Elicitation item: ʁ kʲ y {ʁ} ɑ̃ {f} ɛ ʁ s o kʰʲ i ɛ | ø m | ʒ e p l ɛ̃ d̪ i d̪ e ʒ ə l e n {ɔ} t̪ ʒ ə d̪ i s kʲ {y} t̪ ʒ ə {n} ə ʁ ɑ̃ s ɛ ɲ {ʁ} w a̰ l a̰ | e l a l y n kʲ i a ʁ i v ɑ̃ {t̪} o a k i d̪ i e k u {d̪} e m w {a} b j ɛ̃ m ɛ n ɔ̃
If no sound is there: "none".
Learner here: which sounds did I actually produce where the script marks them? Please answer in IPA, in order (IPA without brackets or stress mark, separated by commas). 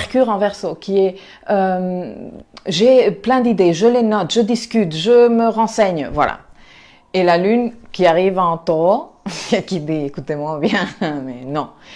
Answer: ʁ, v, ɔ, y, m, v, t̪, t̪, a